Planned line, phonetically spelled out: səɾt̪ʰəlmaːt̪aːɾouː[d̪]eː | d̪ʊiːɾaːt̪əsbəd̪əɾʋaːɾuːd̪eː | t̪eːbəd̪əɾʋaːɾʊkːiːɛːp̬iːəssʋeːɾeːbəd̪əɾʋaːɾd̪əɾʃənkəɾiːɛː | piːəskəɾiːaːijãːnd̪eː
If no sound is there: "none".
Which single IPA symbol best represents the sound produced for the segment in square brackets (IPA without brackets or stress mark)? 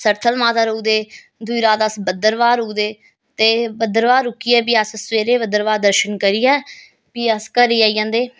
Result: d̪